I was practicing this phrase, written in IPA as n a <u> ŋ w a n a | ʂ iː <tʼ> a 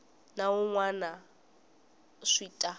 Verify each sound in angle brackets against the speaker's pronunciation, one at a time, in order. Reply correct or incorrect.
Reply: incorrect: ʊ, correct

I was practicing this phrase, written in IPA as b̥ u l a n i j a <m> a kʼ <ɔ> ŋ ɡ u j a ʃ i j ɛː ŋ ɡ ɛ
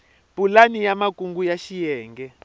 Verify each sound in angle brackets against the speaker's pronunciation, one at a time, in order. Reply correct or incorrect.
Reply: correct, incorrect: u

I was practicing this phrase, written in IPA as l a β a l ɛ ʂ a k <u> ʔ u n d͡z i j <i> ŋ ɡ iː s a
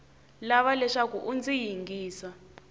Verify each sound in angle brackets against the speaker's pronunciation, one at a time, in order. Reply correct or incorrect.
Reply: correct, correct

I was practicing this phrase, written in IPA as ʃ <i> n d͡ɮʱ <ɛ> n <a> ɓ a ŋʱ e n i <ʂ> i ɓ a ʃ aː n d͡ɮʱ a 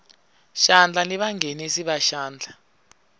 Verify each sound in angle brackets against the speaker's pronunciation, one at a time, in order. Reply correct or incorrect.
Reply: incorrect: a, incorrect: a, incorrect: i, incorrect: s

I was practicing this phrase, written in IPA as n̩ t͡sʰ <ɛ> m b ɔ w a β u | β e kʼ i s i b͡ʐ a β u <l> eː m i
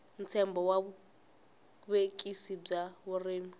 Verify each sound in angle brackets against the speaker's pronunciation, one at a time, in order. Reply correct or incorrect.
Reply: correct, incorrect: r

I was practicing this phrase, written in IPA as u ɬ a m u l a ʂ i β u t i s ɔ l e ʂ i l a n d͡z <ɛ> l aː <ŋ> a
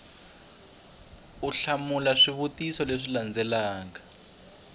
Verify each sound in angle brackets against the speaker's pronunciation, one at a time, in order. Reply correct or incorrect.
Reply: correct, correct

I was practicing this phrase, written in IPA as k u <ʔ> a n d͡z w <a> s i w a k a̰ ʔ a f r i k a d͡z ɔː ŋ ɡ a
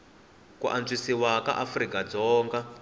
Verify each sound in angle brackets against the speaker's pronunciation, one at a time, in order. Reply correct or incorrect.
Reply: correct, incorrect: i

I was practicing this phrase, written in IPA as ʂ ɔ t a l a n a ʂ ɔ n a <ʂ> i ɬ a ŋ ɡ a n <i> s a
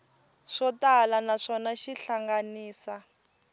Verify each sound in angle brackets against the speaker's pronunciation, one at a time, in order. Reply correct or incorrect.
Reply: incorrect: ʃ, incorrect: iː

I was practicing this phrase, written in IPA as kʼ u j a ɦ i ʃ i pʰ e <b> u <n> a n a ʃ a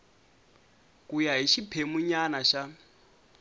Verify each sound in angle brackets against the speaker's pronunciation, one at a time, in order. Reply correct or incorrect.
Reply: incorrect: m, incorrect: ɲ

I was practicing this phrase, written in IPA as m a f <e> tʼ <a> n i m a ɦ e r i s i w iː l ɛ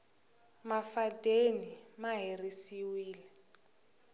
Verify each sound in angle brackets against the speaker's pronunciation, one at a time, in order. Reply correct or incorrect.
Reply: incorrect: a, incorrect: e

